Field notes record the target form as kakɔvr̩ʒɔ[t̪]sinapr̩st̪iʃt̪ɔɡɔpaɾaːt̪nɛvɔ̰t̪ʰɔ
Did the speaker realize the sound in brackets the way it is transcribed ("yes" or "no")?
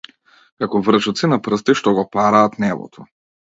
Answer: yes